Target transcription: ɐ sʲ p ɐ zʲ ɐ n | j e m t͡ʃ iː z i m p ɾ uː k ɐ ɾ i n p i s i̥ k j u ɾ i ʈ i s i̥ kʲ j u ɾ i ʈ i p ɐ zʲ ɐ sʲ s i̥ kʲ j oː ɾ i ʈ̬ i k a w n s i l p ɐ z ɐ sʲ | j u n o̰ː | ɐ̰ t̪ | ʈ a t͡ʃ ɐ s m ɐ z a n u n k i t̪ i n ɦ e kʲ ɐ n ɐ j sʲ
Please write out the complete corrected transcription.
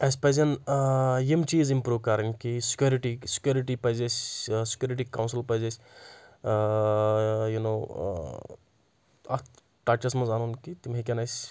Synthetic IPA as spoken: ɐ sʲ p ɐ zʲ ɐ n | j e m t͡ʃ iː z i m p ɾ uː k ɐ ɾ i n k i s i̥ k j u ɾ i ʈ i s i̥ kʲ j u ɾ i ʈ i p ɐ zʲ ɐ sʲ s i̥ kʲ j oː ɾ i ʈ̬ i k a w n s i l p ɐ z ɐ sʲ | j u n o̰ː | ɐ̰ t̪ | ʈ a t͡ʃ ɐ s m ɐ z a n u n k i t̪ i m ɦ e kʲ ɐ n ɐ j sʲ